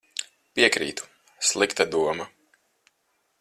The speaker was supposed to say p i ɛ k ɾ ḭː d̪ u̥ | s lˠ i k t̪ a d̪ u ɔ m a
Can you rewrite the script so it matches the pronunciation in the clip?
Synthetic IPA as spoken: p i ɛ k ɾ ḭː t̪ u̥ | s lˠ i k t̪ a d̪ u ɔ m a